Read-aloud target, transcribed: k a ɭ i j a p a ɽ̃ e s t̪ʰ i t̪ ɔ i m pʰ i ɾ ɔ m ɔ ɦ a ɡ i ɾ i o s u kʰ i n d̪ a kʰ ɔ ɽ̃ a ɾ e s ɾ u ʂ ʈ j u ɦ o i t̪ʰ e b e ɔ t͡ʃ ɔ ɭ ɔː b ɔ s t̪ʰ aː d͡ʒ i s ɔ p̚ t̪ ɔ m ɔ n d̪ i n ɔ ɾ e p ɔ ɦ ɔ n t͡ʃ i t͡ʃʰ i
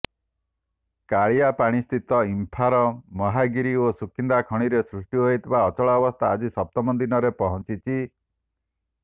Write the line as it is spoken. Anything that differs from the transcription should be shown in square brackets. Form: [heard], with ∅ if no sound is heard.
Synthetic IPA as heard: k a ɭ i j a p a ɽ̃ [i] s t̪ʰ i t̪ ɔ i m pʰ [a] ɾ ɔ m ɔ ɦ a ɡ i ɾ i o s u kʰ i n d̪ a kʰ ɔ ɽ̃ [i] ɾ e s ɾ u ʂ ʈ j u ɦ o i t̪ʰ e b [a] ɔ t͡ʃ ɔ ɭ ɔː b ɔ s t̪ʰ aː d͡ʒ i s ɔ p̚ t̪ ɔ m ɔ n d̪ i n ɔ ɾ e p ɔ ɦ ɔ n t͡ʃ i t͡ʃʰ i